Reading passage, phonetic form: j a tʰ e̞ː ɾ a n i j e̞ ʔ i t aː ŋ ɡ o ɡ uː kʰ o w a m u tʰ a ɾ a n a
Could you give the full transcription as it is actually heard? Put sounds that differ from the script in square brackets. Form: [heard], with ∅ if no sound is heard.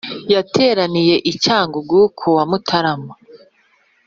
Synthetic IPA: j a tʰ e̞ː ɾ a n i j e̞ ʔ i [c] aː ŋ ɡ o ɡ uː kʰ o w a m u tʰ a ɾ a [m] a